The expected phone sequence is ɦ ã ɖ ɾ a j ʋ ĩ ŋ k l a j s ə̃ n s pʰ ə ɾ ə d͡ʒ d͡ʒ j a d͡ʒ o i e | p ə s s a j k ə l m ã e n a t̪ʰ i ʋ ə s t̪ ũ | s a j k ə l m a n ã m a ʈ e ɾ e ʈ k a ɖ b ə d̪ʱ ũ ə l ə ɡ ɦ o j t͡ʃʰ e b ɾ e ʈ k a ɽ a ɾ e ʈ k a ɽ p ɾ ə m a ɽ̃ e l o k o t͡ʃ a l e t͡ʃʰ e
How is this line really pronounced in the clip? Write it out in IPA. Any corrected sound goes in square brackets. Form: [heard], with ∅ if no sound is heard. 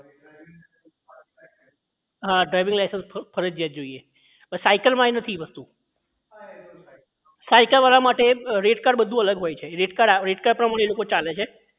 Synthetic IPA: ɦ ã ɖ ɾ a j ʋ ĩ ŋ [ɡ] l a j s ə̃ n s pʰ ə ɾ ə d͡ʒ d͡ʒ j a d͡ʒ o i e | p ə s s a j k ə l m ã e n [ə] t̪ʰ i ʋ ə s t̪ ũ | s a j k ə l m a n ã m a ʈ e ɾ e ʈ k a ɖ b ə d̪ʱ ũ ə l ə ɡ ɦ o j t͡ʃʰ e [∅] ɾ e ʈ k a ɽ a ɾ e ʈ k a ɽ p ɾ ə m a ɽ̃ e l o k o t͡ʃ a l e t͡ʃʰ e